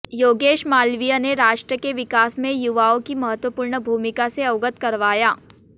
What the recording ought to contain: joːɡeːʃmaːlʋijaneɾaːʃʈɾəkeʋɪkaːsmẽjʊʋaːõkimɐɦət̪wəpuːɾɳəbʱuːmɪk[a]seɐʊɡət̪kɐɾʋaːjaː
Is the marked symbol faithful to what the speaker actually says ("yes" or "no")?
yes